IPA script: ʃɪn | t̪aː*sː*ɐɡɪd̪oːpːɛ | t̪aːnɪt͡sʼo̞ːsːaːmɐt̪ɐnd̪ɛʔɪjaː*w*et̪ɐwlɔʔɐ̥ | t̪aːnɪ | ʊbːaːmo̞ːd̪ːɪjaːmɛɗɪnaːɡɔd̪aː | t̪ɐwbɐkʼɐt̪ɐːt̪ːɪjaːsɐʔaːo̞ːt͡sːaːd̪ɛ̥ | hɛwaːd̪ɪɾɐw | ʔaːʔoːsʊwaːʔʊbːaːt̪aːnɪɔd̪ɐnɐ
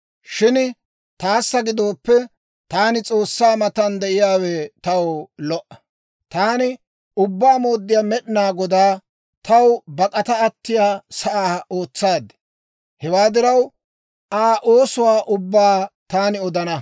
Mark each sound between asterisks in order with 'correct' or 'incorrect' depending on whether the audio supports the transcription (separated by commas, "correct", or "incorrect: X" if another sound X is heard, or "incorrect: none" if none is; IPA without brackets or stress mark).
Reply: correct, correct